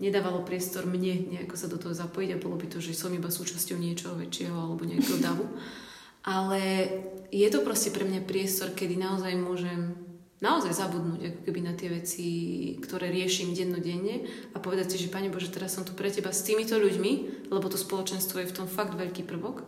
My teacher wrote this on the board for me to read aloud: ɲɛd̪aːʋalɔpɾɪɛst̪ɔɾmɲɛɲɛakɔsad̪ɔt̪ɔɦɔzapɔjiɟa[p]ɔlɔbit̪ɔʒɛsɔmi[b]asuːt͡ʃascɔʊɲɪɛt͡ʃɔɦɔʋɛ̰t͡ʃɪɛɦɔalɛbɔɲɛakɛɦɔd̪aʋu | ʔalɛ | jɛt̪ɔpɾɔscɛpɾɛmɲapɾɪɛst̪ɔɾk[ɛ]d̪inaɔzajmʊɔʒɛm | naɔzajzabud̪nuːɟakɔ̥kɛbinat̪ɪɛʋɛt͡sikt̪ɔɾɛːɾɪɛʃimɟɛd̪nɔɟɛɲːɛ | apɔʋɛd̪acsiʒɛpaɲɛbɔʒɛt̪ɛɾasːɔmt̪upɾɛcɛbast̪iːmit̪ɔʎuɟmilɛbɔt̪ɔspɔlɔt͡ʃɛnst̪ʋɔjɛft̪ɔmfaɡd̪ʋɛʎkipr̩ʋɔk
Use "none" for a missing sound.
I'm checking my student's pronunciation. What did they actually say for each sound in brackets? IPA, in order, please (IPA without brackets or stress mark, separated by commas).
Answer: b, b, ɛ